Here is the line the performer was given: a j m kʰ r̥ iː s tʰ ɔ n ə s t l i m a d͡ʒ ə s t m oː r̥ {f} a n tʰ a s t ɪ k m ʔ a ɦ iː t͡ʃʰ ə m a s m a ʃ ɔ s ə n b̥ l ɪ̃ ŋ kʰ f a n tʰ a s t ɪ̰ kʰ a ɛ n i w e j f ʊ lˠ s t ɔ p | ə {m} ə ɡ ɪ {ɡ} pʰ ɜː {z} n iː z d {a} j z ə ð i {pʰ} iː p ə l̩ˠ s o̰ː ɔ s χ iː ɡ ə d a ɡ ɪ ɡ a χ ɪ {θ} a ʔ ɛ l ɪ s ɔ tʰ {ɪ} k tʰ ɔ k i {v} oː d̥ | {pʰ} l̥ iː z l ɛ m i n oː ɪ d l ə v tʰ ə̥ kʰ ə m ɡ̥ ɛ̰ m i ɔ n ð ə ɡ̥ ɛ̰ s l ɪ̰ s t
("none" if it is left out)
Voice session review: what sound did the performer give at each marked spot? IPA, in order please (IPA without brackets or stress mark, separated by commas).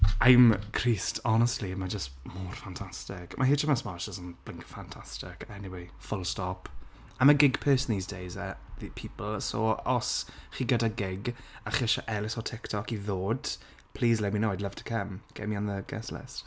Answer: f, m, ɡ, s, e, pʰ, ʃ, ɪ, ð, pʰ